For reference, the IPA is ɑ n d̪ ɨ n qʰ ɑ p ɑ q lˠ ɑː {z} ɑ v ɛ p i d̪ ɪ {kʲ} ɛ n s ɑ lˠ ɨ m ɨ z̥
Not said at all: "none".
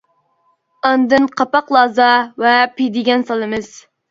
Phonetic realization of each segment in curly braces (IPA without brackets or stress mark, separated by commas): z, ɡʲ